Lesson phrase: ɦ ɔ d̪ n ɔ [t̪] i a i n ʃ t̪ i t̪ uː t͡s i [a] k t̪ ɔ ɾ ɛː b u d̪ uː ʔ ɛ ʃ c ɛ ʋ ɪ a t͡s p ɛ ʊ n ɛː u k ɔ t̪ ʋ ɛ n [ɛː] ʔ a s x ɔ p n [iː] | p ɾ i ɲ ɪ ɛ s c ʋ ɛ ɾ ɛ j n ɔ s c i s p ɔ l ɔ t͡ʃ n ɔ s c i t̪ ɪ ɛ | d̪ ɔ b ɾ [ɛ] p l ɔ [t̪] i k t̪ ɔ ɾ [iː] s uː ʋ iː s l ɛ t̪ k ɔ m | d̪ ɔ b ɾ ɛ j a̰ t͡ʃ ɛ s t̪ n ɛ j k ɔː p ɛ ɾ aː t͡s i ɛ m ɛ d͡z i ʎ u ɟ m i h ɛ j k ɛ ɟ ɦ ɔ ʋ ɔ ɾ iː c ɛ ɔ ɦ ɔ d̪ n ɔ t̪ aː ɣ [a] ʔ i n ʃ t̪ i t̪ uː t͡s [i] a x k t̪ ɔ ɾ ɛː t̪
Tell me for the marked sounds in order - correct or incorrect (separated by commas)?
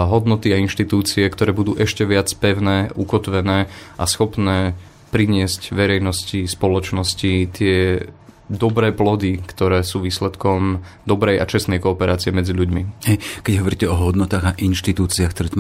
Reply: correct, incorrect, correct, incorrect, incorrect, incorrect, incorrect, correct, correct